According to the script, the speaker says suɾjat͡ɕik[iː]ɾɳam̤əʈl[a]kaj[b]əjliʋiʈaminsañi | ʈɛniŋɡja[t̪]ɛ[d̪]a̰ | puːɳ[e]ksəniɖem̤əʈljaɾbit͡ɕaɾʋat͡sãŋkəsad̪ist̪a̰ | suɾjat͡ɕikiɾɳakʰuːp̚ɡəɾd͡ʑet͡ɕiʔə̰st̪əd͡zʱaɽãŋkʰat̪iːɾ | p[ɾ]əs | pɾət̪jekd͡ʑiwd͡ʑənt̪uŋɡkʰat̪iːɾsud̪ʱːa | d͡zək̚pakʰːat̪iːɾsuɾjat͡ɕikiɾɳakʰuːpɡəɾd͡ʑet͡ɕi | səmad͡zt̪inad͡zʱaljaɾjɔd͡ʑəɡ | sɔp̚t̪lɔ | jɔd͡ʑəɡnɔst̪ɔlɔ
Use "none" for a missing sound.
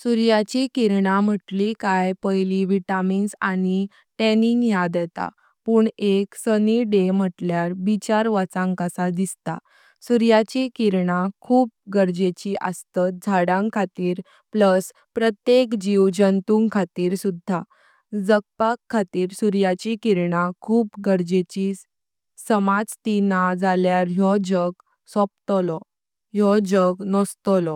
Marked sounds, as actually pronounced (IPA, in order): i, i, p, d̪, t̪, e, l

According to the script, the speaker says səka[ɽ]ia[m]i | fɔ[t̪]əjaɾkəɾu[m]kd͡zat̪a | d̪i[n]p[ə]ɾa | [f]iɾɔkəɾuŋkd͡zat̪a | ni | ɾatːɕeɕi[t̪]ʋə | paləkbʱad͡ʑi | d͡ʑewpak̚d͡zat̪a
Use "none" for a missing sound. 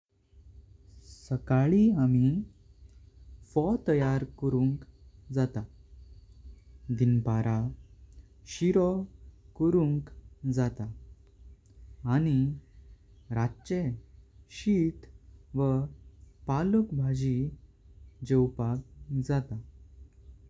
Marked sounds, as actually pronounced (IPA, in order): ɭ, m, t̪, ŋ, n, a, ɕ, t̪

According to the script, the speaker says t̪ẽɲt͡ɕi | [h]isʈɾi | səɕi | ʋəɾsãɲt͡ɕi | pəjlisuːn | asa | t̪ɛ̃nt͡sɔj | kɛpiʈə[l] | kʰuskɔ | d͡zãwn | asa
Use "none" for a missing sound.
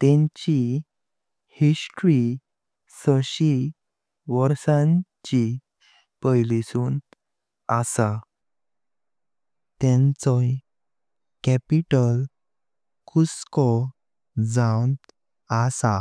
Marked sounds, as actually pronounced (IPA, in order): h, l

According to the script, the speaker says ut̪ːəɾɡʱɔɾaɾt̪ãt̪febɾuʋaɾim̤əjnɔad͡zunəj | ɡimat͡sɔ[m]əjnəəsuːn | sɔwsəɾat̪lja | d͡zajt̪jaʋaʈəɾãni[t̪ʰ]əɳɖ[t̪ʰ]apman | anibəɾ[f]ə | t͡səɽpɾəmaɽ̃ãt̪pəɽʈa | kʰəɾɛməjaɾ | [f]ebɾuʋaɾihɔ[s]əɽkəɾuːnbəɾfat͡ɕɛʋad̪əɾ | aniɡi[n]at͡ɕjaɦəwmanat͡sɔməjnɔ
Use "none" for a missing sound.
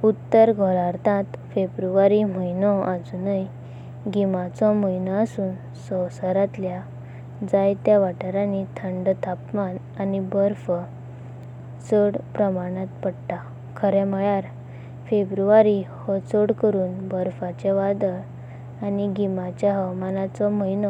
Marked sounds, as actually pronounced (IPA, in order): m, t̪ʰ, t̪ʰ, f, f, t͡s, m

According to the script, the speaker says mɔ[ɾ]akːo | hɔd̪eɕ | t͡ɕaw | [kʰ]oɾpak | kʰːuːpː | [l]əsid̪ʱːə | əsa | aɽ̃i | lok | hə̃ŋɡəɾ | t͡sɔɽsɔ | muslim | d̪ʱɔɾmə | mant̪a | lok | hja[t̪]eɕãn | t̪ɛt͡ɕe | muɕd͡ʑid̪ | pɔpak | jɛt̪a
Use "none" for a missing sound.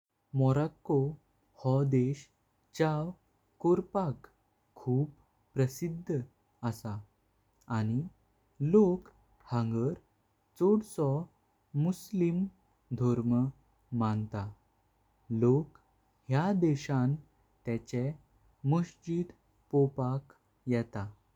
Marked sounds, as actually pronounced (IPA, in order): ɾ, k, ɾ, d̪

